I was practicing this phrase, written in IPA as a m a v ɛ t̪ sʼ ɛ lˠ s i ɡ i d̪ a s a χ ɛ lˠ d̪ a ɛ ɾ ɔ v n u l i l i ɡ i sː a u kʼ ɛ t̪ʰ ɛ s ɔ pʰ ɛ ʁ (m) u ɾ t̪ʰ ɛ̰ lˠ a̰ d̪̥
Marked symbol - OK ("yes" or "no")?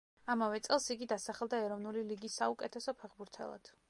no